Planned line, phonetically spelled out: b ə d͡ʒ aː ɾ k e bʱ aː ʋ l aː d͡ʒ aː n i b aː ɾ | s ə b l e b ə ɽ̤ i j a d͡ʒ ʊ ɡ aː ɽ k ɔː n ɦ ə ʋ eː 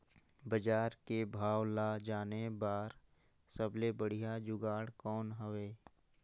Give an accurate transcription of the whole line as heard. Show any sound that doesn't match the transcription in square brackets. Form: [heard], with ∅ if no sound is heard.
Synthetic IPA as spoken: b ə d͡ʒ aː ɾ k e bʱ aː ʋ l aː d͡ʒ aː n [e] b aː ɾ | s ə b l e b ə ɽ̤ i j a d͡ʒ ʊ ɡ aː ɽ k ɔː n ɦ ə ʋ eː

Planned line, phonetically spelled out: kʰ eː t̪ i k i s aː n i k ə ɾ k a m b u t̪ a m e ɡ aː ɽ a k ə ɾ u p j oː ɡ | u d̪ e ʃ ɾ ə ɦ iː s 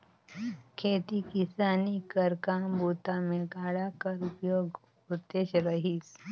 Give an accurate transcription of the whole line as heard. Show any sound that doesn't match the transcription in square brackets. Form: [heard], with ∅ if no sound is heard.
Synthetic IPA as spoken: kʰ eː t̪ i k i s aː n i k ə ɾ k a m b u t̪ a m e ɡ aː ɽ a k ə ɾ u p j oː ɡ | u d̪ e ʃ ɾ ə ɦ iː s

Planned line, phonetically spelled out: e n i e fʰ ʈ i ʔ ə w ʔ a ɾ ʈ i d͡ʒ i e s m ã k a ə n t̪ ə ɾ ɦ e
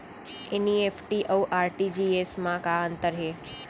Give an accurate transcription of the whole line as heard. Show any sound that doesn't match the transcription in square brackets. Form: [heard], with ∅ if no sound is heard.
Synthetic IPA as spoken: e n i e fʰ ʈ i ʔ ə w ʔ a ɾ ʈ i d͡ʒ i e s m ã k a ə n t̪ ə ɾ ɦ e

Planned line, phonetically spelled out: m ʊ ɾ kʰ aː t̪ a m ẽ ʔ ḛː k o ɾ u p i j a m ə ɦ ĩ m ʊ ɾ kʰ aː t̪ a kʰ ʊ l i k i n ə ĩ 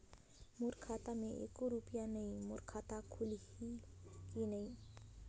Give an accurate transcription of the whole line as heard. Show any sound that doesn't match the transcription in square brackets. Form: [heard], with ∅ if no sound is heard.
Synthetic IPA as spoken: m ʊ ɾ kʰ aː t̪ a m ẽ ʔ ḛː k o ɾ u p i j a [n] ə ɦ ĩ m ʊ ɾ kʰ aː t̪ a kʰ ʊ l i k i n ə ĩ

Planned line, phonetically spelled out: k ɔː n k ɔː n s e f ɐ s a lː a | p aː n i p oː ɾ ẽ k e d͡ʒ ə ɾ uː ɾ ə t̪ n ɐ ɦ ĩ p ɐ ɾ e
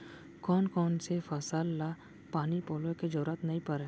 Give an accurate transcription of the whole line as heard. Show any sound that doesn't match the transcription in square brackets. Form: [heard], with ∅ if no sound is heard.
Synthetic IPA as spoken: k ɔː n k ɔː n s e f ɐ s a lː a | p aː n i p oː [l] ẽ k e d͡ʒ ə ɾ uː ɾ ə t̪ n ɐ ɦ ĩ p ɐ ɾ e

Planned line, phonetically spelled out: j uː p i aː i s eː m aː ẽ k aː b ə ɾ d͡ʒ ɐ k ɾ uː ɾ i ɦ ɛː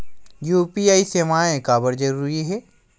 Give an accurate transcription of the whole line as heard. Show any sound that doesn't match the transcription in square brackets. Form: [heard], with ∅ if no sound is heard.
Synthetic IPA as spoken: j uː p i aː i s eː m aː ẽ k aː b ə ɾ d͡ʒ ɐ [∅] ɾ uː ɾ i ɦ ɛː

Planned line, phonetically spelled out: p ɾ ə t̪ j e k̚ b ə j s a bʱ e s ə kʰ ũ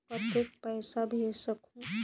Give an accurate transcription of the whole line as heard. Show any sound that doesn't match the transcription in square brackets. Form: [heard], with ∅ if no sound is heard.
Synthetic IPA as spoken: p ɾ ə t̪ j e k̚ [p] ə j s a bʱ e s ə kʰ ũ

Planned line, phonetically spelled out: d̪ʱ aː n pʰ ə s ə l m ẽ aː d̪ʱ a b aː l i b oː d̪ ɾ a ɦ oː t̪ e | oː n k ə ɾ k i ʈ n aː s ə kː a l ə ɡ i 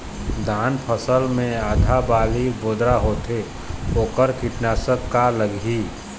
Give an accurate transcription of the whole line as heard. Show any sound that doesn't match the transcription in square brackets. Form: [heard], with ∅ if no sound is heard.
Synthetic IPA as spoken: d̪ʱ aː n pʰ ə s ə l m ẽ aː d̪ʱ a b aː l i b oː d̪ ɾ a ɦ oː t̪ e | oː [∅] k ə ɾ k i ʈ n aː s ə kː a l ə ɡ i

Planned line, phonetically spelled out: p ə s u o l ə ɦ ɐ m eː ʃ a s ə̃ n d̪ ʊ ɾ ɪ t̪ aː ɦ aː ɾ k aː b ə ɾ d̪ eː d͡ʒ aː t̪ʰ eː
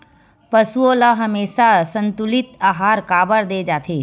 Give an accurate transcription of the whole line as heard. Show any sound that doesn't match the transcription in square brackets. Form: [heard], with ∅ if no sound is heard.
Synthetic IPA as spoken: p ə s u o l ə ɦ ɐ m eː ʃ a s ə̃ n [t̪] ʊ [l] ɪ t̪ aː ɦ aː ɾ k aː b ə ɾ d̪ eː d͡ʒ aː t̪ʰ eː

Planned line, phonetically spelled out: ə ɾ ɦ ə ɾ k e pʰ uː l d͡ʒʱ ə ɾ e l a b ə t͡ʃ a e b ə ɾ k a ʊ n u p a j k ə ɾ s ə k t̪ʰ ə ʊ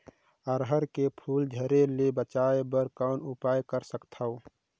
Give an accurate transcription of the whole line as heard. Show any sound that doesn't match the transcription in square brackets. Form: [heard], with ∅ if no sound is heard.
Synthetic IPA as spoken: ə ɾ ɦ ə ɾ k e pʰ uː l d͡ʒʱ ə ɾ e l [e] b ə t͡ʃ a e b ə ɾ k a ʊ n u p a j k ə ɾ s ə k t̪ʰ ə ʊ

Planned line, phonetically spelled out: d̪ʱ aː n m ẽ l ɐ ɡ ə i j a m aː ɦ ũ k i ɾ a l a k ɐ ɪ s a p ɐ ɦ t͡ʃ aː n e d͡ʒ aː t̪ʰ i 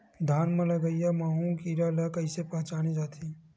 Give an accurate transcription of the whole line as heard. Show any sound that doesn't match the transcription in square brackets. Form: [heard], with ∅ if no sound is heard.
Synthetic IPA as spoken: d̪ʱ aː n m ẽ l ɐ ɡ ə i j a m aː ɦ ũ k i ɾ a l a k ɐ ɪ s [e] p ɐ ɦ t͡ʃ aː n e d͡ʒ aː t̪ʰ i

